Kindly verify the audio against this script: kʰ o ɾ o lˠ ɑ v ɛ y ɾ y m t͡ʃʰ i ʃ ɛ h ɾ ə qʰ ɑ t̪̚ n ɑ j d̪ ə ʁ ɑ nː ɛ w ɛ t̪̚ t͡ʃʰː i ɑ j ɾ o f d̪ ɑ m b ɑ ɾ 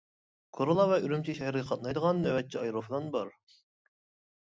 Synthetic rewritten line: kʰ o ɾ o lˠ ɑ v ɛ y ɾ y m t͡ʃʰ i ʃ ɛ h ɾ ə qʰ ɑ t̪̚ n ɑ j d̪ ə ʁ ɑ nː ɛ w ɛ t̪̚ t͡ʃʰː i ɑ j ɾ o f d̪ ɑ n b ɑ ɾ